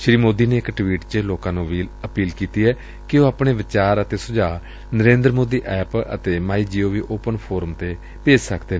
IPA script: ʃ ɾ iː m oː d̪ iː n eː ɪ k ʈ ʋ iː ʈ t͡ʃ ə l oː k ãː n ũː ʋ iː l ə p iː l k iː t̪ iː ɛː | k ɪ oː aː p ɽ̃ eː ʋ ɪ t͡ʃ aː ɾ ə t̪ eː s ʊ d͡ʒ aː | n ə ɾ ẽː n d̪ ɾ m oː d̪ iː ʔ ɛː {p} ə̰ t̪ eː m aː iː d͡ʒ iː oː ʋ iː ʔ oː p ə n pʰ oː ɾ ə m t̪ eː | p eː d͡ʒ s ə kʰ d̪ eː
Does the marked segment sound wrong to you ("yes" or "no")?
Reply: no